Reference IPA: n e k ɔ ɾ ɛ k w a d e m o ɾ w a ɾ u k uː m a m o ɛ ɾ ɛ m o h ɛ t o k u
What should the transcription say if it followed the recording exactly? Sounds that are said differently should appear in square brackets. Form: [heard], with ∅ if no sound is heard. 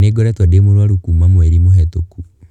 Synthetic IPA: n e [ɡ] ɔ ɾ ɛ [t] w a d e m o ɾ w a ɾ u k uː m a m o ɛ ɾ [i] m o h ɛ t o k u